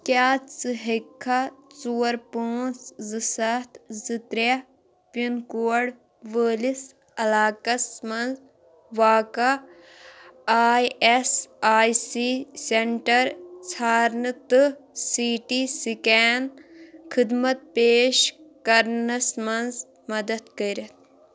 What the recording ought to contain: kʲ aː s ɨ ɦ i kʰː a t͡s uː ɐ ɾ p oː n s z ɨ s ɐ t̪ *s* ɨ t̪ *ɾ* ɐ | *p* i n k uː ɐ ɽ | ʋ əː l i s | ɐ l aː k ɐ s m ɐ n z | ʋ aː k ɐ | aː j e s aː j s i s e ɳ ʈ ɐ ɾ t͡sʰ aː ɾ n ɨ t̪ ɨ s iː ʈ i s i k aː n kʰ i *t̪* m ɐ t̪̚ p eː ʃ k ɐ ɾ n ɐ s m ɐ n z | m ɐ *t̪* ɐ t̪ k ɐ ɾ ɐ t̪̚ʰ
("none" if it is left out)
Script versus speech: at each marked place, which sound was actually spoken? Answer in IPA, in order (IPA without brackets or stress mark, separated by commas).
z, ɾ, p, d̪, d̪